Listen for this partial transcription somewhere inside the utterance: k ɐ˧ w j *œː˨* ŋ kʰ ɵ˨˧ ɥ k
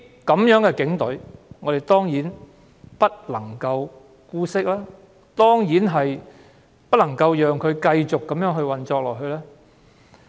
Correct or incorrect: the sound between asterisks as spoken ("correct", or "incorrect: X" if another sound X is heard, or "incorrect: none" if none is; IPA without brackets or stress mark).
correct